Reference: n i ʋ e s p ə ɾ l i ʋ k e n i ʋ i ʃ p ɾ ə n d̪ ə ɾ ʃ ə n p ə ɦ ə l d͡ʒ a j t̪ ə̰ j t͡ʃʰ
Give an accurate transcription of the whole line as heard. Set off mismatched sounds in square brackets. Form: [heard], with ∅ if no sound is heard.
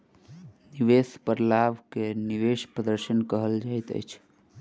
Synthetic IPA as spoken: n i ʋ e s p ə ɾ l [a] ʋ k e n i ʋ [e] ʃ p ɾ ə [∅] d̪ ə ɾ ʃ ə n [k] ə ɦ ə l d͡ʒ a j t̪ ə̰ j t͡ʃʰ

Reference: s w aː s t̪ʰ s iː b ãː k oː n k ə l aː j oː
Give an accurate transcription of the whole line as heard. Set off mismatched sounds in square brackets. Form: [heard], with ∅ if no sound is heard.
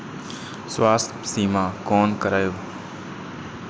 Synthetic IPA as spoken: s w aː s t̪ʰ s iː [m] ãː k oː n k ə [ɾ] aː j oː

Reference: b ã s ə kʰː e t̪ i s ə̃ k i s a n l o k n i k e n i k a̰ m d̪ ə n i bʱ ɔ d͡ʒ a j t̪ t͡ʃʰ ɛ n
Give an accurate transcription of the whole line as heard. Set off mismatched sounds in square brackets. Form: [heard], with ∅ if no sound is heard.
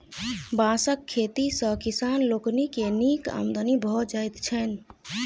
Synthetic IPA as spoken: b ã s ə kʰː e t̪ i s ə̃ k i s a n l o k n i k e n i k a̰ m d̪ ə n i bʱ ɔ d͡ʒ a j t̪ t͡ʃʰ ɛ n

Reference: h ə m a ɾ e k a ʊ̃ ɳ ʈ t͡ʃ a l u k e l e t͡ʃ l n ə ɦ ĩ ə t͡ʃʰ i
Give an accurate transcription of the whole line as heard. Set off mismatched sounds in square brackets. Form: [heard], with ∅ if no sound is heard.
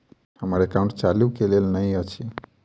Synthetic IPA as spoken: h ə m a ɾ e k a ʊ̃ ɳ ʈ t͡ʃ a l u k e l e [∅] l n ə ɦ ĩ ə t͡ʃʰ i

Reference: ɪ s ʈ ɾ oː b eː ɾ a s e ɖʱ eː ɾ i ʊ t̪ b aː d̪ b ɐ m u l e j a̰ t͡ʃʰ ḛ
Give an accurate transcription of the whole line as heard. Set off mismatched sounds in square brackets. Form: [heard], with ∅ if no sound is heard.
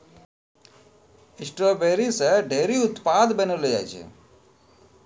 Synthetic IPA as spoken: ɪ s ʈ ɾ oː b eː ɾ [i] s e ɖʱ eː ɾ i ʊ t̪ [p] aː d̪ b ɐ [n] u l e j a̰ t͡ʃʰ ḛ

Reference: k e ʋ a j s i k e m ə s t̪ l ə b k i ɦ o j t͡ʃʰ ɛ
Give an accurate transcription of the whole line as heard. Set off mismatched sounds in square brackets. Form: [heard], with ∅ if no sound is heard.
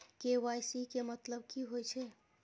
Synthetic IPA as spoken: k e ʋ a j s i k e m ə [∅] t̪ l ə b k i ɦ o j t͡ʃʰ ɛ

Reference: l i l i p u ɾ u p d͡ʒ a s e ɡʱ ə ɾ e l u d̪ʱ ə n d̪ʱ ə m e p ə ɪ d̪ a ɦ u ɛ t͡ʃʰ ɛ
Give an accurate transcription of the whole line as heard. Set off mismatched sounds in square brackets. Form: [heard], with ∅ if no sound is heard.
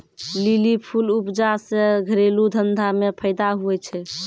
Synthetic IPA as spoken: l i l i [pʰ] u [l] u p d͡ʒ a s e ɡʱ ə ɾ e l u d̪ʱ ə n d̪ʱ [a] m e [pʰ] ə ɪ d̪ a ɦ u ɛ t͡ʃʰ ɛ

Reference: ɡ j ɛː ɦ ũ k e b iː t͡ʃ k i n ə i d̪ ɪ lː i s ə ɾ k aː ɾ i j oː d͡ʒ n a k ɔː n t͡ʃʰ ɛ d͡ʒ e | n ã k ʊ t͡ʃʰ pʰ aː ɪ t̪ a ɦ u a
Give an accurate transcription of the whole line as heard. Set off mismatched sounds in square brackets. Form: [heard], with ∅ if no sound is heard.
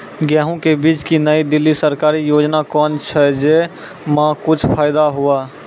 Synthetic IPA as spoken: ɡ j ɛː ɦ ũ k e b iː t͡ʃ k i n ə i d̪ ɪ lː i s ə ɾ k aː ɾ i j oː d͡ʒ n a k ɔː n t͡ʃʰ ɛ d͡ʒ e | [m] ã k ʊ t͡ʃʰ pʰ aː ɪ [d̪] a ɦ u a

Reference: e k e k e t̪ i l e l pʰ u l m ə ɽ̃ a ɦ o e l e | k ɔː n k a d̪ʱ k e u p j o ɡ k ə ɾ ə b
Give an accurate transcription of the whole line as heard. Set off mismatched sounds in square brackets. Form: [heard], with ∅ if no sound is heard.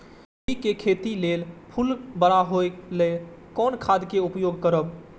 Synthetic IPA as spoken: [i] k e [kʰ] e t̪ i l e l pʰ u l [b] ə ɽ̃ a ɦ o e l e | k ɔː n [kʰ] a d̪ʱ k e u p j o ɡ k ə ɾ ə b

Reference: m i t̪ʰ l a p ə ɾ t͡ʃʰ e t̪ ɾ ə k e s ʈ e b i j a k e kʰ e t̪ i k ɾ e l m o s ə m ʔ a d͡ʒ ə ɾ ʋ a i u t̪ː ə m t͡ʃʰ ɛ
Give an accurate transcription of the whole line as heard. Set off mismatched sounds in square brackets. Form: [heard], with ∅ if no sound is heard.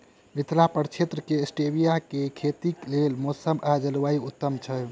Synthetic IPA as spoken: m i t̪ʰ l a p ə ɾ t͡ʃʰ e t̪ ɾ ə k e s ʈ e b i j a k e kʰ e t̪ i k [l] e l m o s ə m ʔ a d͡ʒ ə [l] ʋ a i u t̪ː ə m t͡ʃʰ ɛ

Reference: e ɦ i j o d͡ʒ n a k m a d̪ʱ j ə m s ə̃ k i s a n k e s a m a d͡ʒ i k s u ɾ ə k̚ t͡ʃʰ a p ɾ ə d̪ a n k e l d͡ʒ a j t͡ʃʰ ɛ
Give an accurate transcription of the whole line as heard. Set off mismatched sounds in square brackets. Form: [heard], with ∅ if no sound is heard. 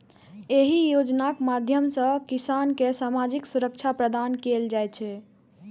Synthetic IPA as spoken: e ɦ i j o d͡ʒ n a k m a d̪ʱ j ə m s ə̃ k i s a n k e s a m a d͡ʒ i k s u ɾ ə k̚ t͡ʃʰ a p ɾ ə d̪ a n k e l d͡ʒ a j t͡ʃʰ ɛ

